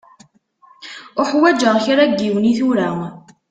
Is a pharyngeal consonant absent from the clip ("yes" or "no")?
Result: no